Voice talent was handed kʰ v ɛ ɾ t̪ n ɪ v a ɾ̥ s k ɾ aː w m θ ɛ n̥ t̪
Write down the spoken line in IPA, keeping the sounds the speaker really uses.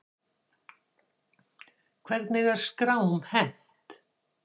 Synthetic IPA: kʰ v ɛ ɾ t̪ n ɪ ɣ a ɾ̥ s k ɾ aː w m h ɛ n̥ t̪